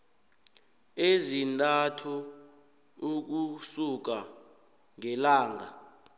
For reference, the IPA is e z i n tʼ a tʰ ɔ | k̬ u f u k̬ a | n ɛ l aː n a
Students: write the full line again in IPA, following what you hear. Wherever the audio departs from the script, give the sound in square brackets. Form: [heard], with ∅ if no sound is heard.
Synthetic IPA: e z i n tʼ a tʰ [u] | k̬ u [s] u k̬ a | [ŋ] ɛ l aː [ŋ] a

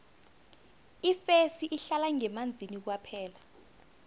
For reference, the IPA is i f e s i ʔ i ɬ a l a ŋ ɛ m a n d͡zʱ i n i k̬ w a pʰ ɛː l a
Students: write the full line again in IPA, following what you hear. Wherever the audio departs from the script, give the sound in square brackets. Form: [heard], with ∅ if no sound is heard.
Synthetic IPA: i f e s i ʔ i ɬ a l a ŋ ɛ m a n d͡zʱ i n i k̬ w a pʰ ɛː l a

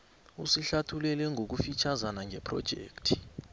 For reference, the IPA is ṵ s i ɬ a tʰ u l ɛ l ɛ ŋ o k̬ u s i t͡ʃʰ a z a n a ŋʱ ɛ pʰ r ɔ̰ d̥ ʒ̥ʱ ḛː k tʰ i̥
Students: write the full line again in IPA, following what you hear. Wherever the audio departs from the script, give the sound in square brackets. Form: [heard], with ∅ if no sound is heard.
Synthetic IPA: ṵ s i ɬ a tʰ u l ɛ l ɛ ŋ o k̬ u [f] i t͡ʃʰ a z a n a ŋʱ ɛ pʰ r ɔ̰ d̥ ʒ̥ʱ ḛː k tʰ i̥

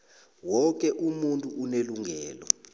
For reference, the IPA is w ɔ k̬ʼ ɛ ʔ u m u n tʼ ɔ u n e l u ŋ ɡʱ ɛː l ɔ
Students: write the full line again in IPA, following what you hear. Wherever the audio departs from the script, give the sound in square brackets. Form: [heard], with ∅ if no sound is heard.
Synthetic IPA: w ɔ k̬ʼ ɛ ʔ u m u n tʼ [u] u n e l u ŋ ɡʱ ɛː l ɔ

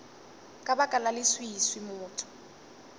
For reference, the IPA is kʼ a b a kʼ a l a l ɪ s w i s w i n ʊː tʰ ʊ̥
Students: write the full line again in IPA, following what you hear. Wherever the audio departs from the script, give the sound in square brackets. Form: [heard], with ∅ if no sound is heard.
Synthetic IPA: kʼ a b a kʼ a l a l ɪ s w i s w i [m] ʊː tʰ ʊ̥

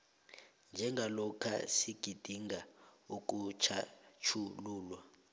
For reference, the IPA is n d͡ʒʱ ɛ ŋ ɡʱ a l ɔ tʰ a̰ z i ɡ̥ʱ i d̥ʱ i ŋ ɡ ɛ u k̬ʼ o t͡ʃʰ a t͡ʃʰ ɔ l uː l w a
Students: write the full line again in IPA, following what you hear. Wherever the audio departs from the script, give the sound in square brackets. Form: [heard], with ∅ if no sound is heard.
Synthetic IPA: n d͡ʒʱ ɛ ŋ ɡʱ a l ɔ [kʰ] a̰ [s] i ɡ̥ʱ i d̥ʱ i ŋ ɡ [a] u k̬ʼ [u] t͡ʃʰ a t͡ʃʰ [u] l uː l w a

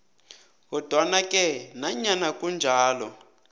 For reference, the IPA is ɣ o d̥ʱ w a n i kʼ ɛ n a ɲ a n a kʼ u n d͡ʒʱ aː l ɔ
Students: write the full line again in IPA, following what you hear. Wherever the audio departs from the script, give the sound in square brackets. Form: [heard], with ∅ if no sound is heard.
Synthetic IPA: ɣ [ɔ] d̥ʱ w a n [a] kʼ ɛ n a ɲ a n a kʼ u n d͡ʒʱ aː l ɔ

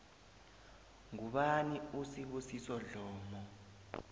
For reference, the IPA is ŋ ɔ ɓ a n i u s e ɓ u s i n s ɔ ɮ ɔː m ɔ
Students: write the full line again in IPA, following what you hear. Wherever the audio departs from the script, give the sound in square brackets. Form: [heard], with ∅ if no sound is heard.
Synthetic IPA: ŋ [u] ɓ a n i u s [i] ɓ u s i [∅] s ɔ ɮ ɔː m ɔ

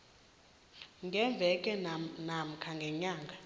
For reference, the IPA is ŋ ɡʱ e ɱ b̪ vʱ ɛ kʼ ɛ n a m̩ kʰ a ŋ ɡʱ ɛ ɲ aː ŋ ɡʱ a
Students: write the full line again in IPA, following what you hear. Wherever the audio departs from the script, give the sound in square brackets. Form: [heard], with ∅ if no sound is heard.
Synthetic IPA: ŋ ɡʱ [ɛ] ɱ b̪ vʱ ɛ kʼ ɛ n a m̩ kʰ a ŋ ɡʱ ɛ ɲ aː ŋ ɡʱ a

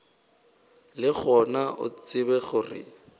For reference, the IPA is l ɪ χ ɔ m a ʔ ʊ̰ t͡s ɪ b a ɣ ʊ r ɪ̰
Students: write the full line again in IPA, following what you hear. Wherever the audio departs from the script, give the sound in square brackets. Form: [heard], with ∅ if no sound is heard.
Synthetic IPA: l ɪ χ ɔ [n] a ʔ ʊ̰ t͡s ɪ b [ɛ] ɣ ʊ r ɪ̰

